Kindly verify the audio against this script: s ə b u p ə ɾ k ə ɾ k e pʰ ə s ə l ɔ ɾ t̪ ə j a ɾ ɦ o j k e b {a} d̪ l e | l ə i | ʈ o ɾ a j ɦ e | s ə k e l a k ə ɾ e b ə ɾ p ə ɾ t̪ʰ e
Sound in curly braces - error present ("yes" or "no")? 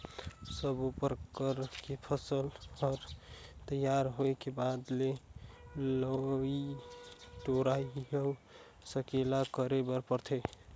no